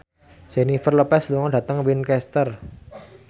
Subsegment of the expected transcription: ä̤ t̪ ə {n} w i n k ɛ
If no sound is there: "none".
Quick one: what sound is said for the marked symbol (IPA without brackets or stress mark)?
ŋ